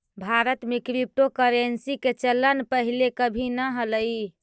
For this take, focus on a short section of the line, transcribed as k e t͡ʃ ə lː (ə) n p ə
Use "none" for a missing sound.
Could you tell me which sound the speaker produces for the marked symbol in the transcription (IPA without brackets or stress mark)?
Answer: ə